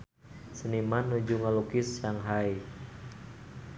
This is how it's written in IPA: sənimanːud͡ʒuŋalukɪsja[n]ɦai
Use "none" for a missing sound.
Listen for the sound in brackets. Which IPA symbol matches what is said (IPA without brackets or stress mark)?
ŋ